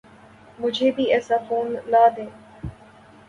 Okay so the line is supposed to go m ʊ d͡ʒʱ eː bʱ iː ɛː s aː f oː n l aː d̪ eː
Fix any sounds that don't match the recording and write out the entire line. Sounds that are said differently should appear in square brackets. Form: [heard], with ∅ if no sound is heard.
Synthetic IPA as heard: m ʊ d͡ʒʱ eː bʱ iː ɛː s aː f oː n l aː d̪ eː